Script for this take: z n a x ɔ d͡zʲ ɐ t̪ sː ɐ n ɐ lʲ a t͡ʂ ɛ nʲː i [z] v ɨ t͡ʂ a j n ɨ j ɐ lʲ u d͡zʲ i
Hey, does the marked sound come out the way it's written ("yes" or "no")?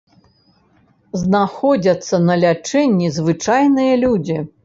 yes